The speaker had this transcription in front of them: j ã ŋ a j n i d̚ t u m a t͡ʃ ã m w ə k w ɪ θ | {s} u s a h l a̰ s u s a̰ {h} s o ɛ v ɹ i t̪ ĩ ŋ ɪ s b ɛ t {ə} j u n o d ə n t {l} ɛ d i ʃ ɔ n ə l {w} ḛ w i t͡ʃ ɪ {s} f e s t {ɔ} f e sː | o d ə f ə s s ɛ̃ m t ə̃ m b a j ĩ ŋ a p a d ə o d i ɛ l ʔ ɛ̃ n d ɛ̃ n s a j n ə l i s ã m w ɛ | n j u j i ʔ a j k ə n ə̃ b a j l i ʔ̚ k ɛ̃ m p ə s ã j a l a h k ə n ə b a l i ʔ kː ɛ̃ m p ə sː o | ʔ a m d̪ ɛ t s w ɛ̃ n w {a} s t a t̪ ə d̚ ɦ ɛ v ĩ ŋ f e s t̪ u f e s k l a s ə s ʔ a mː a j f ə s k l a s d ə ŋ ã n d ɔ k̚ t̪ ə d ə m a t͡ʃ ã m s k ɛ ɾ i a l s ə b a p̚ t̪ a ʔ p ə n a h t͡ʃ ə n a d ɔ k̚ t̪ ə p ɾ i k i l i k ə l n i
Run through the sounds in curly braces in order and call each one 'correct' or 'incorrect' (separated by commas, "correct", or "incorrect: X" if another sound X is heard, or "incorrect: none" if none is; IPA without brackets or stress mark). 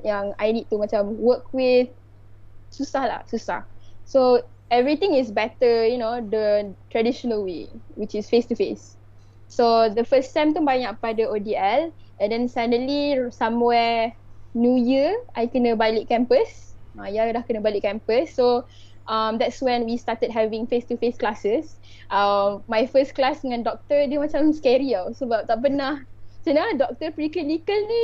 correct, correct, correct, incorrect: ɹ, correct, correct, incorrect: u, incorrect: i